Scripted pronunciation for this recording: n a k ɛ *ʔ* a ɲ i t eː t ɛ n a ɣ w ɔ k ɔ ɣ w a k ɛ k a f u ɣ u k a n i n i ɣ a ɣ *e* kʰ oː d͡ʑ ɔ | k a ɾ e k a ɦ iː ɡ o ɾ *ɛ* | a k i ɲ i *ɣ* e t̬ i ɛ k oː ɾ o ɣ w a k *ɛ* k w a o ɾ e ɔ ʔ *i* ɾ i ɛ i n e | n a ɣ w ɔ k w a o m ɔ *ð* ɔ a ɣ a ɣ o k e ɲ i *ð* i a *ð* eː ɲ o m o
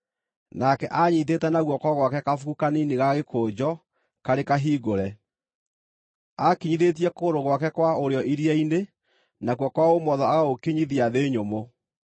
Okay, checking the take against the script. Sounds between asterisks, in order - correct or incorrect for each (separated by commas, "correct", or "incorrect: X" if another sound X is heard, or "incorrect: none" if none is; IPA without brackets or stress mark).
correct, correct, correct, incorrect: ð, correct, correct, correct, correct, correct